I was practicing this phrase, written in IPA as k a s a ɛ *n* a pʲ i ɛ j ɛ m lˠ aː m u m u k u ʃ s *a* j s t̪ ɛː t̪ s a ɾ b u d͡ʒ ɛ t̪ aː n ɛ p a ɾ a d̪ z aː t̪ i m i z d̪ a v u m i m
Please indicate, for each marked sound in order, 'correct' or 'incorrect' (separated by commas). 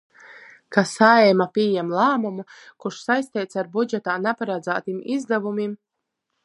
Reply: incorrect, correct